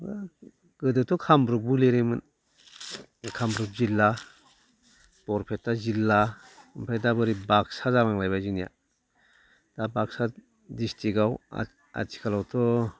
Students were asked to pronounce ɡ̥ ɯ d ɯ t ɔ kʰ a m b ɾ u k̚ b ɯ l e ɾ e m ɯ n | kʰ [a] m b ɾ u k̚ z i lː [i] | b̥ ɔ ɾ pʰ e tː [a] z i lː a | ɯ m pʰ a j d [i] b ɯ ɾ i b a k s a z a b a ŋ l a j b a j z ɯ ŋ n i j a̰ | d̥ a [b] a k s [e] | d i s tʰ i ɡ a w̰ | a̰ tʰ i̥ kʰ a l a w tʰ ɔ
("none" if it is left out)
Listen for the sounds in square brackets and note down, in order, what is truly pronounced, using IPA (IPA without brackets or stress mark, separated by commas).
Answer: a, a, a, a, b, a